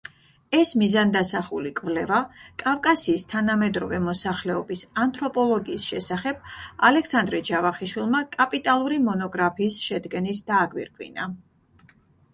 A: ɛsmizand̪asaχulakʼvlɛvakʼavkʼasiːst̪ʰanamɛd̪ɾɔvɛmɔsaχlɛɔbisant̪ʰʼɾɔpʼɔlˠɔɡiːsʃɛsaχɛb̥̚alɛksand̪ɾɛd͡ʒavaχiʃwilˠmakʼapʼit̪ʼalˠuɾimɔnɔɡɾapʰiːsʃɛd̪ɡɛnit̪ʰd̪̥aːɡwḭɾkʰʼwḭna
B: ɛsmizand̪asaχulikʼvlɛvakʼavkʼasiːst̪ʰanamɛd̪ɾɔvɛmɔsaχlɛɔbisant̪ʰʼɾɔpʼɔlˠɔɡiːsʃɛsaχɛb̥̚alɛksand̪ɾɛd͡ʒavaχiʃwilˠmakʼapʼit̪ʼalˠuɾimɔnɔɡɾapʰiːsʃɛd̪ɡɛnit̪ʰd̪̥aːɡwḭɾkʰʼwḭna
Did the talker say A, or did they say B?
B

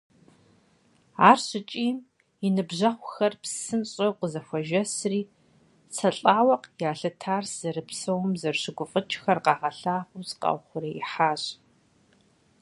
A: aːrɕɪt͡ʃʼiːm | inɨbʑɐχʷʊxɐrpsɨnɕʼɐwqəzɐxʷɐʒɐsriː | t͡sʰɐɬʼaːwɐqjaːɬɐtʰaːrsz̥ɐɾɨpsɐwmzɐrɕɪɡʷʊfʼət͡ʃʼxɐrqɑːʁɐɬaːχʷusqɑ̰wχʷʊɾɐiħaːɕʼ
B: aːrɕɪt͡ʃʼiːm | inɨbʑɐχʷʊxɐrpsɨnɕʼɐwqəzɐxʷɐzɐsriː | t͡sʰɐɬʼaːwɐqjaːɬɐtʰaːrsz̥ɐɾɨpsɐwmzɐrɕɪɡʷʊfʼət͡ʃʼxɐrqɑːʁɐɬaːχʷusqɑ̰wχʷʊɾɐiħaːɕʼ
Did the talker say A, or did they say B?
A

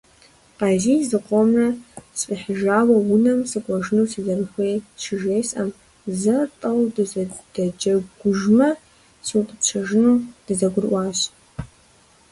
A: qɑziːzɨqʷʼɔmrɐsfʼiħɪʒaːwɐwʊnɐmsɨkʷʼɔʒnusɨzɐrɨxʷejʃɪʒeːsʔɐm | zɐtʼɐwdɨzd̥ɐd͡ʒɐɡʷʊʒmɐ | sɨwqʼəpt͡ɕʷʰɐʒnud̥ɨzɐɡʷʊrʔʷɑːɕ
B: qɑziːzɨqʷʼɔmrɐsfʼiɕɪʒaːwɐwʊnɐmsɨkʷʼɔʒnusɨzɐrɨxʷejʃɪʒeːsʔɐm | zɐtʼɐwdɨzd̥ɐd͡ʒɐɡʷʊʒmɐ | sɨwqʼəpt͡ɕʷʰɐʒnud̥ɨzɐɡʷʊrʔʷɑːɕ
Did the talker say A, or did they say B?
A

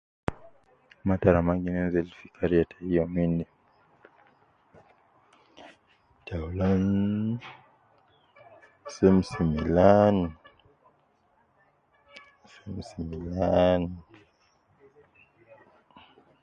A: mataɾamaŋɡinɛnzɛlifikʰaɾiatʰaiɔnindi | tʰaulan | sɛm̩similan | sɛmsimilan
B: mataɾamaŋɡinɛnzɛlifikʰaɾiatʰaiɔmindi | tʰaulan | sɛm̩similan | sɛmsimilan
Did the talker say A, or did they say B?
B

